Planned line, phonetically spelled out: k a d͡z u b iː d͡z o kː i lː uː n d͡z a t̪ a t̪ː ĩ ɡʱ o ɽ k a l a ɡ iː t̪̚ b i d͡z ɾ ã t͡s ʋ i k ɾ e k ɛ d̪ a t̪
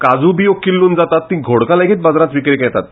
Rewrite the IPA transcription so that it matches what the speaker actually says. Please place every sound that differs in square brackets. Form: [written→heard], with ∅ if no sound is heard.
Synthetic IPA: k a d͡z u b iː [d͡z→∅] o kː i lː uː n d͡z a t̪ a t̪ː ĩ ɡʱ o ɽ k a l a ɡ iː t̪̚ b [i→a] d͡z ɾ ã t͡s ʋ i k ɾ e k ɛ [d̪→t̪] a t̪